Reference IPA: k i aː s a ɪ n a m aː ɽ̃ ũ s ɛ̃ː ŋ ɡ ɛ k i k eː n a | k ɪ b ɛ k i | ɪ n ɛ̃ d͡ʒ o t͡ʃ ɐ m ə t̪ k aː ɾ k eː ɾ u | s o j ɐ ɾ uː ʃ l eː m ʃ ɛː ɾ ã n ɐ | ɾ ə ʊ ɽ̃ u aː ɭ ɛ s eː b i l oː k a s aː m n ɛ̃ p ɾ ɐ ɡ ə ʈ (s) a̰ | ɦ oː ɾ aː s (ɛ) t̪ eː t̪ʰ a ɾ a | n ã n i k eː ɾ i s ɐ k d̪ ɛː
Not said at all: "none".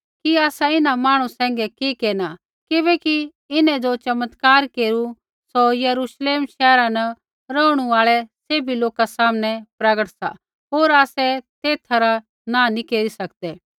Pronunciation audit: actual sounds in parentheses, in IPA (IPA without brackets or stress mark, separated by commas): s, ɛ